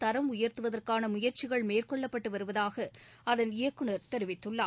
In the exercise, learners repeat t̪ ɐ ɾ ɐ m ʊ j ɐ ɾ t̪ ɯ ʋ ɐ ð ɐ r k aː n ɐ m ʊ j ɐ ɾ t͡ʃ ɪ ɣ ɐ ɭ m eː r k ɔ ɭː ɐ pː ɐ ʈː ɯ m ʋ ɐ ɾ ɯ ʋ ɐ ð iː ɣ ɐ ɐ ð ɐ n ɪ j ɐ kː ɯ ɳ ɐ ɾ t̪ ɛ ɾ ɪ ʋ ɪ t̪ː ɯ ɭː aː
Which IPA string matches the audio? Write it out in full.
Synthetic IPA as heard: t̪ ɐ ɾ ɐ m ʊ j ɐ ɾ t̪ ɯ ʋ ɐ ð ɐ r k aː n ɐ m ʊ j ɐ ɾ t͡ʃ ɪ ɣ ɐ ɭ m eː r k ɔ ɭː ɐ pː ɐ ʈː ɯ ʋ ɐ ɾ ɯ ʋ ɐ ð aː ɣ ɐ ɐ ð ɐ n ɪ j ɐ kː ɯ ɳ ɐ ɾ t̪ ɛ ɾ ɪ ʋ ɪ t̪ː ɯ ɭː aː